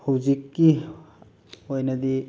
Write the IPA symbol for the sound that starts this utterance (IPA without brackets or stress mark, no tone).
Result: h